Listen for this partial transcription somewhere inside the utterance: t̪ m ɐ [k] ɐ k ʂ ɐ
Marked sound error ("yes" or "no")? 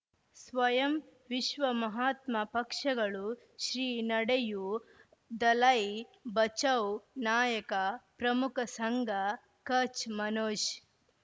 yes